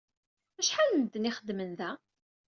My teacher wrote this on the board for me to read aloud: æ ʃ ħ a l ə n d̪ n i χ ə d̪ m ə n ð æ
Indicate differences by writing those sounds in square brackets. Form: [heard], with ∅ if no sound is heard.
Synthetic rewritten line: æ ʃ ħ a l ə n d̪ n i χ ə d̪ m ə n ð æ